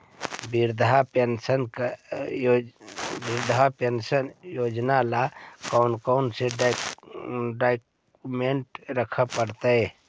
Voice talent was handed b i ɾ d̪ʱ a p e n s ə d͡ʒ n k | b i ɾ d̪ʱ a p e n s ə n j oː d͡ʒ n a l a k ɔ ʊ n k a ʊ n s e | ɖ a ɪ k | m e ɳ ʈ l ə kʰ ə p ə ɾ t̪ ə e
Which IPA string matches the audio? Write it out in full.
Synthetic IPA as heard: b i ɾ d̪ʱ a p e n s ə n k | b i ɾ d̪ʱ a p e n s ə n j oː d͡ʒ n a l a k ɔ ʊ n k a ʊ n s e | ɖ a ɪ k | m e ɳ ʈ ɾ ə kʰ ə p ə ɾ t̪ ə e